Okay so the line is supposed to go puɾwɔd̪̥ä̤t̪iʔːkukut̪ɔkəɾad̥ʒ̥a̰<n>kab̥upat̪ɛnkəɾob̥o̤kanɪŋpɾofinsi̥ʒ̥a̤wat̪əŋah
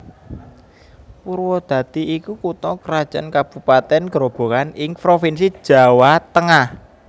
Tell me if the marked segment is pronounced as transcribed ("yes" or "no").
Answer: yes